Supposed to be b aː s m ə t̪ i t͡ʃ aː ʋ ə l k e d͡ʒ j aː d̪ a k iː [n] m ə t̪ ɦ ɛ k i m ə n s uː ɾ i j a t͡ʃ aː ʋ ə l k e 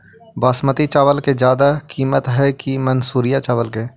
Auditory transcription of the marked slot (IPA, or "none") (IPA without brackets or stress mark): none